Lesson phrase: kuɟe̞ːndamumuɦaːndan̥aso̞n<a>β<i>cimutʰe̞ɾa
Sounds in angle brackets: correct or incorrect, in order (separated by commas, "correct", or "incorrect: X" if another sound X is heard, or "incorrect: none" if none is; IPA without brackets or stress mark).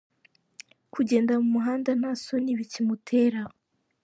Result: incorrect: i, correct